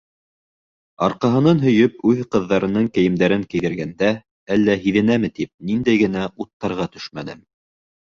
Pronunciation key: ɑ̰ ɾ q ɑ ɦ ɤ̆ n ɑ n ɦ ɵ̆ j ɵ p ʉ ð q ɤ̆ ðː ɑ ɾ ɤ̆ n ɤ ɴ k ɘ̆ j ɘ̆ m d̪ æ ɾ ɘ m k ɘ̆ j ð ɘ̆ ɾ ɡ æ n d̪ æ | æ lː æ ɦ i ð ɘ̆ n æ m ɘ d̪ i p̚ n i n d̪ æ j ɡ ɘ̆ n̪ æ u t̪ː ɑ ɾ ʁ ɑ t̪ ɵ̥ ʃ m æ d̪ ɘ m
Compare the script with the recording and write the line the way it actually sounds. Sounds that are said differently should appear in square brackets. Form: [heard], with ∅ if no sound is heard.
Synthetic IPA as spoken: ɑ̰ ɾ q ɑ ɦ ɤ̆ n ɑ n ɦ ɵ̆ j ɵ p ʉ ð q ɤ̆ ðː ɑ ɾ ɤ̆ n ɤ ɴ k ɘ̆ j ɘ̆ m d̪ æ ɾ ɘ [ŋ] k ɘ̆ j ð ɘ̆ ɾ ɡ æ n d̪ æ | æ lː æ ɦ i ð ɘ̆ n æ m ɘ [t̪] i p̚ n i n d̪ æ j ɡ ɘ̆ n̪ æ u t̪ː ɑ ɾ ʁ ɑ t̪ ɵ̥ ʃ m æ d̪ ɘ m